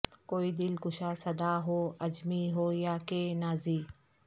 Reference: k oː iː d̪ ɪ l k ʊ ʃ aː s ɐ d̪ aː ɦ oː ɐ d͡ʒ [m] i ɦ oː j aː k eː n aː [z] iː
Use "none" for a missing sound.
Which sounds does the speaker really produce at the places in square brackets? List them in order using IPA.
m, z

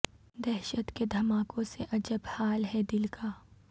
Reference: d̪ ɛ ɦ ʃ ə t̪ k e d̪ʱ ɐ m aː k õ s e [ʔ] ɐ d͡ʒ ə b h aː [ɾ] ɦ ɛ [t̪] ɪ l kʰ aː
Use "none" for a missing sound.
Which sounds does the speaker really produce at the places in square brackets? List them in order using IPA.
ʔ, l, d̪

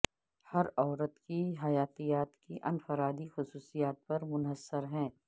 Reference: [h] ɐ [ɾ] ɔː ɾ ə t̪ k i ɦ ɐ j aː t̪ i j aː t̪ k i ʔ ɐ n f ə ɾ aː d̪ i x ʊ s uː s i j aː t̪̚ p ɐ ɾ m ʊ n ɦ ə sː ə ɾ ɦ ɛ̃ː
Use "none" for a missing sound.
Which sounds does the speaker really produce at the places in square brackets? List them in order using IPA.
h, ɾ

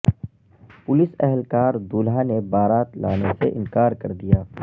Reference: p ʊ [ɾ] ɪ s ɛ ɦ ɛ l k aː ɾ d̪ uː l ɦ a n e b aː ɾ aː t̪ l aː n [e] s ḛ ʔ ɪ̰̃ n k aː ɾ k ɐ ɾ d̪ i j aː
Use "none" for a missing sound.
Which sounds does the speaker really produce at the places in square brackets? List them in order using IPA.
l, e

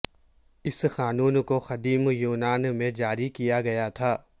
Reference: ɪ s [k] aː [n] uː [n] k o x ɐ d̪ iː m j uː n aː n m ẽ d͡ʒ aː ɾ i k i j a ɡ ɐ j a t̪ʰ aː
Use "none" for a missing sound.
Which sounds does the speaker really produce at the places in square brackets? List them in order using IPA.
x, n, n

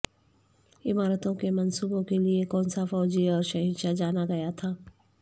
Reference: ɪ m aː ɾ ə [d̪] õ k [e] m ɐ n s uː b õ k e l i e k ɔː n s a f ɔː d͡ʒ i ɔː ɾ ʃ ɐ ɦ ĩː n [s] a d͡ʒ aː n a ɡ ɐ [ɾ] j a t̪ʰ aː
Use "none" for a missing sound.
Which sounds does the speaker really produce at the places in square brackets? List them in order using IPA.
t̪, e, ʃ, none

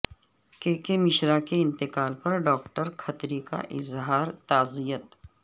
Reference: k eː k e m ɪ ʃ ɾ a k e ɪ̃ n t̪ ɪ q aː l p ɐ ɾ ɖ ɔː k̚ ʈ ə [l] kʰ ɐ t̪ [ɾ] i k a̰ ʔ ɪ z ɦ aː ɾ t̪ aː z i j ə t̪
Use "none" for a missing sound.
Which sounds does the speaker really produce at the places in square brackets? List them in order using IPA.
ɾ, ɾ

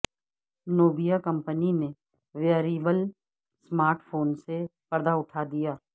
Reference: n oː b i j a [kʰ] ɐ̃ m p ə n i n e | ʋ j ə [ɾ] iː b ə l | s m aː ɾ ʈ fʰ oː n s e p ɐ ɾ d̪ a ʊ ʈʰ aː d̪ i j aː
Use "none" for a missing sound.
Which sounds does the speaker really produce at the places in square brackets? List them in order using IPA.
k, ɾ

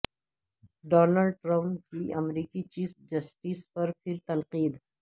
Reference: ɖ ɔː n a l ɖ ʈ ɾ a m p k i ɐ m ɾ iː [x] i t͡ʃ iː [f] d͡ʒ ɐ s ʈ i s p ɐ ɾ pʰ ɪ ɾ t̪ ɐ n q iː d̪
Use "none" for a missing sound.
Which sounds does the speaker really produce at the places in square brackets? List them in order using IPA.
k, f

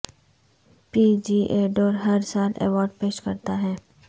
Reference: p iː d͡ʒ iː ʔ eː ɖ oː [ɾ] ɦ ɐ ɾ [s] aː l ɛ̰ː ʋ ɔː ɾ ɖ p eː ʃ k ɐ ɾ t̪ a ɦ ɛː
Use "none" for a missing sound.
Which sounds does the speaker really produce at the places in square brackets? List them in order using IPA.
ɾ, s

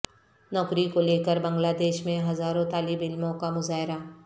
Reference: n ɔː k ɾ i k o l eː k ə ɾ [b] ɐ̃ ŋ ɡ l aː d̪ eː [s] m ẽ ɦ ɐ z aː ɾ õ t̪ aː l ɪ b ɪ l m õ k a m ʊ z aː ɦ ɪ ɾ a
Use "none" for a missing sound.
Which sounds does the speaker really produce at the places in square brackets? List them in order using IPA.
b, ʃ

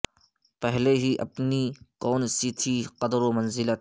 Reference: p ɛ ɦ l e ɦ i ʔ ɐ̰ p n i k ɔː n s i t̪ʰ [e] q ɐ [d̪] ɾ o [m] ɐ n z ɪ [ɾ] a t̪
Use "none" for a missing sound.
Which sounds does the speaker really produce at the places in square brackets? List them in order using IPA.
i, d̪, m, l

